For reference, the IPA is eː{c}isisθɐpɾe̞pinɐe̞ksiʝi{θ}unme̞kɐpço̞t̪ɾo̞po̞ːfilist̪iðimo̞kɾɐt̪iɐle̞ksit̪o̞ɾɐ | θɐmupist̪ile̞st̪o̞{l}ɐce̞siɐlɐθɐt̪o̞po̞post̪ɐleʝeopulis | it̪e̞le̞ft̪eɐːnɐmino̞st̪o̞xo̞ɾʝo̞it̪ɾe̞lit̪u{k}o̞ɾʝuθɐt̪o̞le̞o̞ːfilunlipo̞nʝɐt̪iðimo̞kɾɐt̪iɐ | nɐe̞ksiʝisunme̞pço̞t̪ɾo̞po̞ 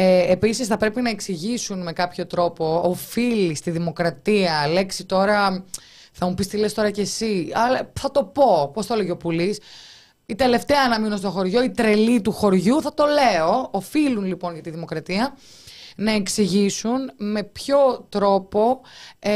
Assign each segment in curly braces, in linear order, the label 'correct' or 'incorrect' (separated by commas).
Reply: incorrect, incorrect, incorrect, incorrect